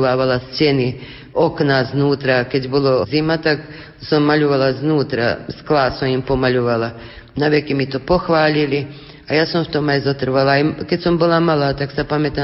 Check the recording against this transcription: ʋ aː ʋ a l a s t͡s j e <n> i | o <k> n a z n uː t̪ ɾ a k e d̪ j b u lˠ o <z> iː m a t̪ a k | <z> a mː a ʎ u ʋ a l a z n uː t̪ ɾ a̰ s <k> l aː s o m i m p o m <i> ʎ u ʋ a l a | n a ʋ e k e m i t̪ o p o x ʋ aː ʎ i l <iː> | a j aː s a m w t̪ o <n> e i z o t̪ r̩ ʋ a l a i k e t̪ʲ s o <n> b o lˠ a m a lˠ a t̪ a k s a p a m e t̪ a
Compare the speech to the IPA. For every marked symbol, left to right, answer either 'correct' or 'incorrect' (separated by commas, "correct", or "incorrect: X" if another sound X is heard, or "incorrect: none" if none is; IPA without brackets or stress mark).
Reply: correct, correct, correct, incorrect: s, correct, incorrect: a, incorrect: i, incorrect: m, incorrect: m